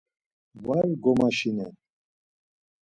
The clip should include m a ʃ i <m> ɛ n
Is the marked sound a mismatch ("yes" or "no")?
yes